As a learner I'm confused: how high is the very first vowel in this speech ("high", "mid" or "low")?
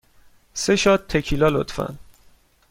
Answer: mid